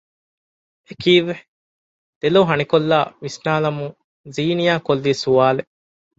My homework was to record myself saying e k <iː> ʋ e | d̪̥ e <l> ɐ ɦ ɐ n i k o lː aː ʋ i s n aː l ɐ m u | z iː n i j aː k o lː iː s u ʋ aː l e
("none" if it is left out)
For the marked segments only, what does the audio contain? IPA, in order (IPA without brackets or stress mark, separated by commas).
iː, l